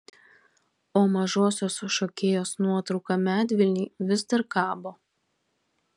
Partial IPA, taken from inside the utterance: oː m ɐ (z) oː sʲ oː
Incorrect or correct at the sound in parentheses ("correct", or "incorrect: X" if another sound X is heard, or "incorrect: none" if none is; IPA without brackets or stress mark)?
incorrect: ʒ